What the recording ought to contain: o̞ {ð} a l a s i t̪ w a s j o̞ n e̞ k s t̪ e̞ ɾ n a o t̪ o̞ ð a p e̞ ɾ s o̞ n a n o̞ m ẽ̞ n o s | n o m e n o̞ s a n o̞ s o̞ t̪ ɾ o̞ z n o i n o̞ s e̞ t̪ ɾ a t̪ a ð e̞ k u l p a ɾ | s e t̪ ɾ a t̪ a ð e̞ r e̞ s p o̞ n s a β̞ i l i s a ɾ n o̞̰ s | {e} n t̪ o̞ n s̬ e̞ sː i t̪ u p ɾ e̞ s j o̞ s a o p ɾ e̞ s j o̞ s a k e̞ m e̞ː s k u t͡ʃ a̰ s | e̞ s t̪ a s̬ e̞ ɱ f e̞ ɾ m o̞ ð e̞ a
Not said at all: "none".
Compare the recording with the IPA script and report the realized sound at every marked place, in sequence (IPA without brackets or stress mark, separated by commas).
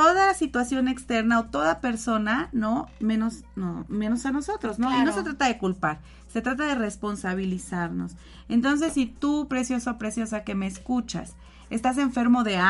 ð, e